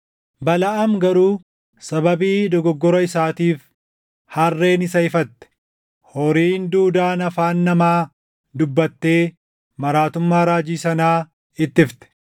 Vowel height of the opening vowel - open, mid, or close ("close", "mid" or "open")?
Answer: open